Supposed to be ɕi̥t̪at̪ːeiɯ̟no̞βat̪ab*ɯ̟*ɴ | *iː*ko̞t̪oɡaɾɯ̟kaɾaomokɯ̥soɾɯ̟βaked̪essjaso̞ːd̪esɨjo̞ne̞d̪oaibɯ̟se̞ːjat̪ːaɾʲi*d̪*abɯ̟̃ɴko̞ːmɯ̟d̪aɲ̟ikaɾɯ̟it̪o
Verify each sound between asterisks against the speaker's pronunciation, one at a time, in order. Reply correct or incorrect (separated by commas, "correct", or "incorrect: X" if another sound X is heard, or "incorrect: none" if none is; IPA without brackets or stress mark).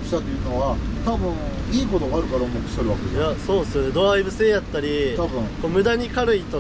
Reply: incorrect: ɯ̟̃, correct, incorrect: t̪